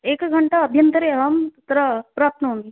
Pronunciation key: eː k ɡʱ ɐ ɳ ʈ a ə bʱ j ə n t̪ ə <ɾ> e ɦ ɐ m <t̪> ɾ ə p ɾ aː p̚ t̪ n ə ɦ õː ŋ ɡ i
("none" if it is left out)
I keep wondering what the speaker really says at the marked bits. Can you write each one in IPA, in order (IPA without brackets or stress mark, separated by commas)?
ɾ, t̪